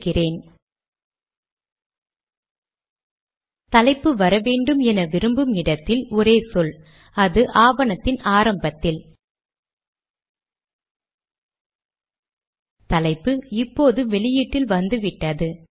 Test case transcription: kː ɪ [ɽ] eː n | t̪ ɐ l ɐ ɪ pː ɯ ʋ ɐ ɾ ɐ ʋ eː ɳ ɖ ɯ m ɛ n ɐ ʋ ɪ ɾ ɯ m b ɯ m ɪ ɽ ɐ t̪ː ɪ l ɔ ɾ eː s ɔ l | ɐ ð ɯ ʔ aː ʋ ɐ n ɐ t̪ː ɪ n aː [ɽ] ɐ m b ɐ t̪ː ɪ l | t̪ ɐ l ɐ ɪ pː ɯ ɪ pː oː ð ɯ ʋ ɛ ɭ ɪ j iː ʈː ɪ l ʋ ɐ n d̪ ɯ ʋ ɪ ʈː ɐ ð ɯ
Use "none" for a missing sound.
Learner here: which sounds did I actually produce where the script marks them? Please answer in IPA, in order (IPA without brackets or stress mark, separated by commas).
r, ɾ